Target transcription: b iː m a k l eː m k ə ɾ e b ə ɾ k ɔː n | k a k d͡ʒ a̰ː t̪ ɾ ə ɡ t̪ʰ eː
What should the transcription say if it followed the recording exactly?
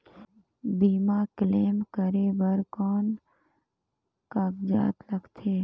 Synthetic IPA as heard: b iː m a k l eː m k ə ɾ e b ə ɾ k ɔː n | k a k d͡ʒ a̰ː t̪ l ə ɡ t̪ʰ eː